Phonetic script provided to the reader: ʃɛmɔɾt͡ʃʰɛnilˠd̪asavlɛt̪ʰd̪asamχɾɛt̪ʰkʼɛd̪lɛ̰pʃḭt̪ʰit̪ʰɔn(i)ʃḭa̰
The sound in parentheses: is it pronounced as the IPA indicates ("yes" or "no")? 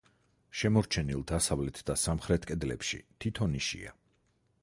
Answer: yes